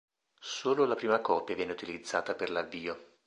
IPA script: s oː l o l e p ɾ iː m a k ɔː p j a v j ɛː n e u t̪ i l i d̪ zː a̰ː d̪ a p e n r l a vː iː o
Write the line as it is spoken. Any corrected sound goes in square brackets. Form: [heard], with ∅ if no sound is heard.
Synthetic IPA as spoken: s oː l o l [a] p ɾ iː m a k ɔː p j a v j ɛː n e u t̪ i l i d̪ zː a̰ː [t̪] a p e [∅] r l a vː iː o